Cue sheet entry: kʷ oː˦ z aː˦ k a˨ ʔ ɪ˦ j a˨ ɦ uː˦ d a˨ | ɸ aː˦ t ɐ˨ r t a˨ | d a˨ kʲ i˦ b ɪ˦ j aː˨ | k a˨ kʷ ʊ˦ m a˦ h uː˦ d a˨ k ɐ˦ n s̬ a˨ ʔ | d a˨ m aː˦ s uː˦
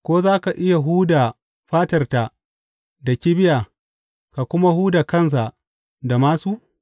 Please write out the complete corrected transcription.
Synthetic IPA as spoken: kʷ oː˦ z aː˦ k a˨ ʔ ɪ˦ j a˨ ɦ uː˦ d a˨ | ɸ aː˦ t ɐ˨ r t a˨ | d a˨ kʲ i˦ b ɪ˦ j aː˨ | k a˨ kʷ ʊ˦ m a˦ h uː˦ d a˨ k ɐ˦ n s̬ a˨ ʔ | d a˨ m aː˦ s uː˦